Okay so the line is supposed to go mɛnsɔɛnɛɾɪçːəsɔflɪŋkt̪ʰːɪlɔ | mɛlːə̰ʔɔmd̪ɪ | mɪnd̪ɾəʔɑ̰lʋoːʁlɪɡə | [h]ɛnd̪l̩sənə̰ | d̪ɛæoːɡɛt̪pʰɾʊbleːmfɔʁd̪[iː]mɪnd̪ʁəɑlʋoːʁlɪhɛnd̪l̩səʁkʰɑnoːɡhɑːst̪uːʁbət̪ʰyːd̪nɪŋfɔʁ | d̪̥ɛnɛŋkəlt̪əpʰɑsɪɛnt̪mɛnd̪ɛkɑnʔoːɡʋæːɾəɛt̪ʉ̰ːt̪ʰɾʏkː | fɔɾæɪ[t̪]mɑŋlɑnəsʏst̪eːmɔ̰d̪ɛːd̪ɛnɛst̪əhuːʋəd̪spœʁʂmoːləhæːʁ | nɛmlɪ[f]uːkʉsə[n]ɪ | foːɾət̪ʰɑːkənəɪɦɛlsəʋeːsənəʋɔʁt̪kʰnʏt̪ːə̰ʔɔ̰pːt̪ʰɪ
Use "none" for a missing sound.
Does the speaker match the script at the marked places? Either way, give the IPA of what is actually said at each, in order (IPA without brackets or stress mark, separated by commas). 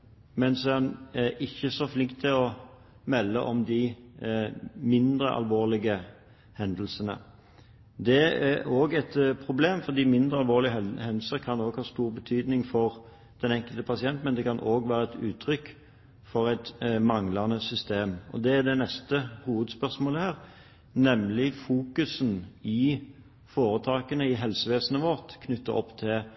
h, iː, t̪, f, n